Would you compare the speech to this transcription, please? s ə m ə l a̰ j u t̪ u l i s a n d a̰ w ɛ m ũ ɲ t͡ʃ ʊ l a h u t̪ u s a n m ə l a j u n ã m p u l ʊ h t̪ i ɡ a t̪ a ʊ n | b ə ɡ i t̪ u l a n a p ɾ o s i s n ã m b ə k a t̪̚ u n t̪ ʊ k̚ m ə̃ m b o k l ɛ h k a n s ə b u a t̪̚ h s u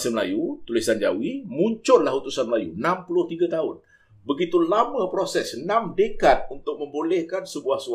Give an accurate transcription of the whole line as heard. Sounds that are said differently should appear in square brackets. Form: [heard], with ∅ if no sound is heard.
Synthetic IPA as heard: s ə m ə l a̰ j u t̪ u l i s a n [d͡ʒ] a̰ w [i] m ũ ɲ t͡ʃ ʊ l a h u t̪ u s a n m ə l a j u n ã m p u l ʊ h t̪ i ɡ a t̪ a ʊ n | b ə ɡ i t̪ u l a [m] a p ɾ o s [ɛ] s n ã m [d] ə k a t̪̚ u n t̪ ʊ k̚ m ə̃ m b o [∅] l ɛ h k a n s ə b u a [∅] h s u